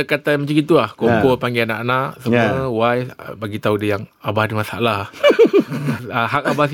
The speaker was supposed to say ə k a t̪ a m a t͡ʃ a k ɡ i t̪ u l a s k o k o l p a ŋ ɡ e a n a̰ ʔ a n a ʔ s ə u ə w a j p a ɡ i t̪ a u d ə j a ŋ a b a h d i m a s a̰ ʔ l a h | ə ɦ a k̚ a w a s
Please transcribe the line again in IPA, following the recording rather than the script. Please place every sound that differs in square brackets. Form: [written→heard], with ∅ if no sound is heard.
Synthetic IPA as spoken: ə k a t̪ a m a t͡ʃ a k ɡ i t̪ u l a [s→h] k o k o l p a ŋ ɡ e a n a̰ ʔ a n a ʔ s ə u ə w a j [p→b] a ɡ i t̪ a u d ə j a ŋ a b a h d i m a s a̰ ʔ l a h | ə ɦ a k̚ a [w→b] a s